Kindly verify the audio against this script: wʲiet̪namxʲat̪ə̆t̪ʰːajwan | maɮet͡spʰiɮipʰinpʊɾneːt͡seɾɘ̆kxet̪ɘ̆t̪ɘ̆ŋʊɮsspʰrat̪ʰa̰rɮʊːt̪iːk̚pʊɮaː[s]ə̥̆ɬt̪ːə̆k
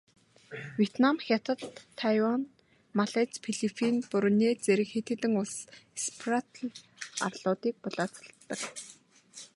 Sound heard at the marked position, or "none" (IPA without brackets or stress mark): t͡s